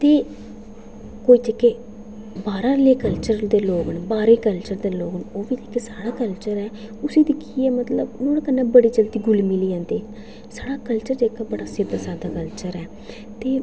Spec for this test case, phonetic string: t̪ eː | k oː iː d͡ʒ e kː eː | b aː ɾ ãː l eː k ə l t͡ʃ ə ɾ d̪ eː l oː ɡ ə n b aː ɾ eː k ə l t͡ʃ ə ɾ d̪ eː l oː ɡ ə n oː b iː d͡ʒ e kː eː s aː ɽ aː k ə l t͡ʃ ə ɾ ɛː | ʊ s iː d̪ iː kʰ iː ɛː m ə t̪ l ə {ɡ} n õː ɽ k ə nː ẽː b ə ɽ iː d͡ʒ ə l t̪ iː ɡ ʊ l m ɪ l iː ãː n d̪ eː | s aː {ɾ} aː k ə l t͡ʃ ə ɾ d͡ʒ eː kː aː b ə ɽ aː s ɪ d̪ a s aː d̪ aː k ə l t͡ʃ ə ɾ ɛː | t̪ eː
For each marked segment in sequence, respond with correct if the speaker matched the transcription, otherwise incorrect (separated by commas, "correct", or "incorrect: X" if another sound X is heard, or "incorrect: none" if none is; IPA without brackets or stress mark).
incorrect: b, incorrect: ɽ